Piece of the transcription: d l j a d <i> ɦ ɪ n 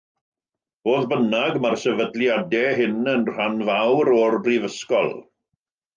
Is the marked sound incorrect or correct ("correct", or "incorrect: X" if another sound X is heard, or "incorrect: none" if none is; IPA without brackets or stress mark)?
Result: incorrect: ɛ